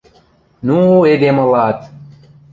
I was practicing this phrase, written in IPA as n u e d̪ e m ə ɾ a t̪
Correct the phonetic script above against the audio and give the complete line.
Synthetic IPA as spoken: n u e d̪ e m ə l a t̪